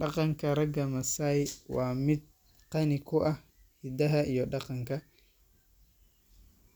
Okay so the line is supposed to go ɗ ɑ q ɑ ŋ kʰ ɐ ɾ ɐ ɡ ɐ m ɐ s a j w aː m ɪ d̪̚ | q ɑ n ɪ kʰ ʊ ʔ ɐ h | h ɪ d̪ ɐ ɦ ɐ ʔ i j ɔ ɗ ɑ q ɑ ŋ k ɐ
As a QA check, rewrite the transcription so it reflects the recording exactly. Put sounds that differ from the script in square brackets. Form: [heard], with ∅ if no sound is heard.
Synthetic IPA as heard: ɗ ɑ q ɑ ŋ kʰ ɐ ɾ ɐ ɡ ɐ m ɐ s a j w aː m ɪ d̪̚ | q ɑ n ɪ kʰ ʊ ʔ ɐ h | h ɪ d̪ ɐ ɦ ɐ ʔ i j ɔ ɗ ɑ q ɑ ŋ k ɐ